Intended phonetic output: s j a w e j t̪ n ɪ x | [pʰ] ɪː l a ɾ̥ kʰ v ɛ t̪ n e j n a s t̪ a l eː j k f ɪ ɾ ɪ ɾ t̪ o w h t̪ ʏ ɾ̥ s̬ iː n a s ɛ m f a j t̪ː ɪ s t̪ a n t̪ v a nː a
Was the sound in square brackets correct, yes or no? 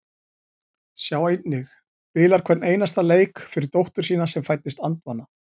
no